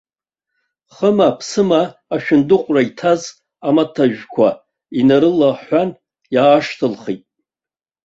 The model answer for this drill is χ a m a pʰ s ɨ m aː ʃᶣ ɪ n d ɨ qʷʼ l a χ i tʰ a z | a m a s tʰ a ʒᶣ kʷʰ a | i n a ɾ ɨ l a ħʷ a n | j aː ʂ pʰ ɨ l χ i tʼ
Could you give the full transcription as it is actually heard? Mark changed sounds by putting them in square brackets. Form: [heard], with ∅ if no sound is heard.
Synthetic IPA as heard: χ [ə] m a pʰ s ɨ m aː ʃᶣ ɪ n d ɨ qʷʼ [r] a [∅] i tʰ a z | a m a [∅] tʰ a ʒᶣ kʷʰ a | i n a ɾ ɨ l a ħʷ a n | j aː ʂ [tʰ] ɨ l χ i tʼ